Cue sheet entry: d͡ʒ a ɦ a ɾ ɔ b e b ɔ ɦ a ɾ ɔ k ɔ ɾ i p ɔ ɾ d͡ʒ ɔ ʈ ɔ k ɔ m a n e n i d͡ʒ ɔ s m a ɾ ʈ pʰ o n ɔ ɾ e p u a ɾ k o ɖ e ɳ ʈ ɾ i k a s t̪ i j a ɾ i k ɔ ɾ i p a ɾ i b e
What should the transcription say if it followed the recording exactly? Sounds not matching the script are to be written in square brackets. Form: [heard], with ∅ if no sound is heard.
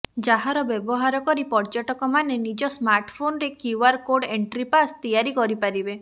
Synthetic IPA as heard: d͡ʒ a ɦ a ɾ ɔ b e b ɔ ɦ a ɾ ɔ k ɔ ɾ i p ɔ ɾ d͡ʒ ɔ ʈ ɔ k ɔ m a n e n i d͡ʒ ɔ s m a ɾ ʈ pʰ o n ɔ ɾ e [k] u a ɾ k o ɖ e ɳ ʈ ɾ i [p] a s t̪ i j a ɾ i k ɔ ɾ i p a ɾ i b e